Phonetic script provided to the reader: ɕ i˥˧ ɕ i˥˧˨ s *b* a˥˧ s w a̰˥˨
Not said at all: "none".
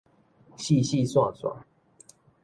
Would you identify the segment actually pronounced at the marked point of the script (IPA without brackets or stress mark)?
w